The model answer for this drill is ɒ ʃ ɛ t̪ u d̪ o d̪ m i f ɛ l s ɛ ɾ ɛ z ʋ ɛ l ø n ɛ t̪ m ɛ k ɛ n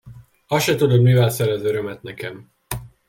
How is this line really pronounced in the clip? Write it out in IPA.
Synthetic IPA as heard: ɒ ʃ ɛ t̪ u d̪ o d̪ m i v ɛ l s ɛ ɾ ɛ z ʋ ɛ ɾ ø m ɛ t̪ n ɛ k ɛ m